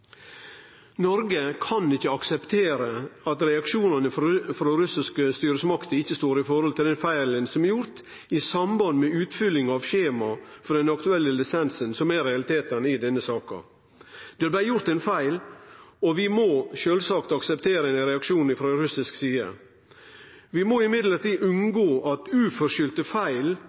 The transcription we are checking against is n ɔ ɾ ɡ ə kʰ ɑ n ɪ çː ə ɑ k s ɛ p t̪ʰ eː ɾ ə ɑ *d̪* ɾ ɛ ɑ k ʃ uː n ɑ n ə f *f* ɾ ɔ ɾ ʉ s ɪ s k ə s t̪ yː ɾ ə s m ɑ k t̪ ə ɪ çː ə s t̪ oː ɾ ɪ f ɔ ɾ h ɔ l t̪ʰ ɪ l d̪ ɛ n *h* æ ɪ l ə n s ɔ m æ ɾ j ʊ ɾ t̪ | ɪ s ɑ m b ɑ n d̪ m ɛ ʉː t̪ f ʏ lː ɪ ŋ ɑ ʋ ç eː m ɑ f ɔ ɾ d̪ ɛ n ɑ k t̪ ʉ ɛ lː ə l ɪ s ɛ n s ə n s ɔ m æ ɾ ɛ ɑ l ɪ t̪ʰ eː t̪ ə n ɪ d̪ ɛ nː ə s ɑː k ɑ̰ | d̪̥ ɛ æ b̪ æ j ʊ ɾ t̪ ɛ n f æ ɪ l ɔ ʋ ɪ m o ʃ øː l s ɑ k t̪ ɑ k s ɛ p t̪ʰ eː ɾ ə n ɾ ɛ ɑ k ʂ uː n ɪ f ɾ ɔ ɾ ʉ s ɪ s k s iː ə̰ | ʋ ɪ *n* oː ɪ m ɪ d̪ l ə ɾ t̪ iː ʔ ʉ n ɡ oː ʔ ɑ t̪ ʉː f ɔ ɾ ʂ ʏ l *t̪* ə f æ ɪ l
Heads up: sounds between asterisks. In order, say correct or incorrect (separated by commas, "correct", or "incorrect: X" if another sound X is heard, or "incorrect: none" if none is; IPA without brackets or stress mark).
incorrect: t̪, correct, incorrect: f, incorrect: m, correct